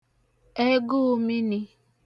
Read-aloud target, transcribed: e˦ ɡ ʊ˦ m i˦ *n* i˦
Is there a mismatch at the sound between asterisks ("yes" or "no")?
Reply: no